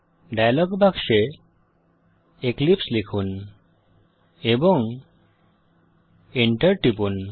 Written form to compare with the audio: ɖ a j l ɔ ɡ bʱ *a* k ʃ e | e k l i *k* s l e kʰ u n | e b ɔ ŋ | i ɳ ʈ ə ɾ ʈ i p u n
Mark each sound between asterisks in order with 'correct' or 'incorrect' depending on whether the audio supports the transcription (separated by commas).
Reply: correct, incorrect